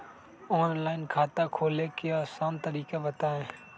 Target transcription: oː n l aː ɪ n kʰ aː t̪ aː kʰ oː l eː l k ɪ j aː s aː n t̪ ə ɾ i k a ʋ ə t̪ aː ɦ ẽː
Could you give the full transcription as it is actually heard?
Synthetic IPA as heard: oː n l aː ɪ n kʰ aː t̪ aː kʰ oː l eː k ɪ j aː s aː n t̪ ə ɾ iː k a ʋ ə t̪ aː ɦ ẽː